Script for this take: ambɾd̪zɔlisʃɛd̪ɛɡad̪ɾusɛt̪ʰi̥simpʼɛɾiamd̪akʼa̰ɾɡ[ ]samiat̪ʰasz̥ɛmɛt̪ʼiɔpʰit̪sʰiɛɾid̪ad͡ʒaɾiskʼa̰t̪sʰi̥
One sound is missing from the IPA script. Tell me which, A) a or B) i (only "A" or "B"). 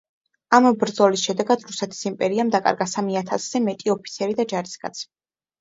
A